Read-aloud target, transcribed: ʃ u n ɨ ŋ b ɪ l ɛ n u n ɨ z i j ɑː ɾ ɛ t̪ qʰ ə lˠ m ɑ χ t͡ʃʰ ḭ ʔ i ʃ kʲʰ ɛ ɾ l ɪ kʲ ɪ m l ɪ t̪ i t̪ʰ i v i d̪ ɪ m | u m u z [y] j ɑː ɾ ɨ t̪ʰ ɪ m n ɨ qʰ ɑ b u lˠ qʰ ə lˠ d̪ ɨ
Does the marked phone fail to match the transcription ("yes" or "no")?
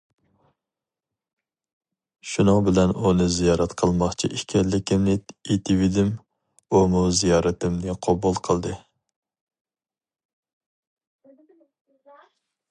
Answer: yes